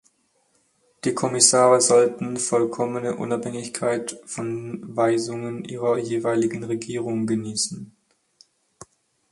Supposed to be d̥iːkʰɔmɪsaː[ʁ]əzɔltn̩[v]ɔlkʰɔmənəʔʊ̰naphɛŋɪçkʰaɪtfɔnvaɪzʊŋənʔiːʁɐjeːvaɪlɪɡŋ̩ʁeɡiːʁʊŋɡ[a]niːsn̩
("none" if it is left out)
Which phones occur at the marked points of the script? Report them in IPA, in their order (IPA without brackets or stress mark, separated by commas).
ʁ, f, ə